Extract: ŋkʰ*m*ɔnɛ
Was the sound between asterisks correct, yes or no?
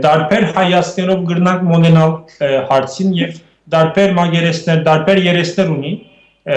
yes